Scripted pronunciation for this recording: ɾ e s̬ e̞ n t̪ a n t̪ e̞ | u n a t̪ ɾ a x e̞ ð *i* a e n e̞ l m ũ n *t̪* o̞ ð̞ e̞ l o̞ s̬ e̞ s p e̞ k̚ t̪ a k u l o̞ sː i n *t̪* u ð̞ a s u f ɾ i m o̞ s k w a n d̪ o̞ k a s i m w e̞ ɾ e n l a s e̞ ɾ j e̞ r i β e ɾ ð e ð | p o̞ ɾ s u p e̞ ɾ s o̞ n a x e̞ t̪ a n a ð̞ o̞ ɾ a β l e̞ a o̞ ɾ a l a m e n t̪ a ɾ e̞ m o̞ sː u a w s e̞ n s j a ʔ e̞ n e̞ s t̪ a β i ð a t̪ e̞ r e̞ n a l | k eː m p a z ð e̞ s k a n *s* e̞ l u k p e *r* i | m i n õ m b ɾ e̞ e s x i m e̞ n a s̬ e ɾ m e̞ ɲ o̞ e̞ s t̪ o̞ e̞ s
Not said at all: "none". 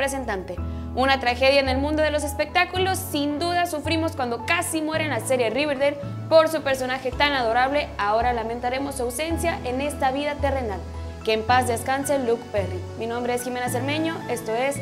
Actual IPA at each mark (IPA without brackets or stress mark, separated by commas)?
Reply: j, d̪, d̪, s, r